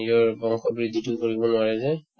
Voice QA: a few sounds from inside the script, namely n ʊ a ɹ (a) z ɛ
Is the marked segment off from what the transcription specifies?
yes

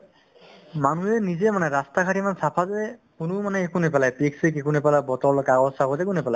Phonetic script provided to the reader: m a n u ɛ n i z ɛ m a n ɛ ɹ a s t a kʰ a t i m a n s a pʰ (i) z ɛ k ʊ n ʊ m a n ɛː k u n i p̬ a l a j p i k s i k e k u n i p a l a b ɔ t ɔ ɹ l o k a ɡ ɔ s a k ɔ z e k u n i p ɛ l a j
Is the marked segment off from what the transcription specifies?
yes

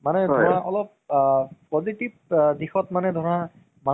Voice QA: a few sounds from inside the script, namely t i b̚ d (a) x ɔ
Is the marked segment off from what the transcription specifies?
yes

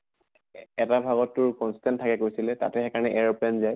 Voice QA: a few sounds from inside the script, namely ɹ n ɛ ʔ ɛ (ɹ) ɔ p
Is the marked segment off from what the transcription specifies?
no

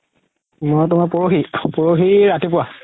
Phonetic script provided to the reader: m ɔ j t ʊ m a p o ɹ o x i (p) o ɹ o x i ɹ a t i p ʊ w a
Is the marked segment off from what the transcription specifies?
no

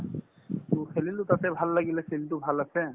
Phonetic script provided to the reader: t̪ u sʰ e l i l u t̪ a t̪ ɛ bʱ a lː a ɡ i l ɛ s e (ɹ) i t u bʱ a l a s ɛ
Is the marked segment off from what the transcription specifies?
yes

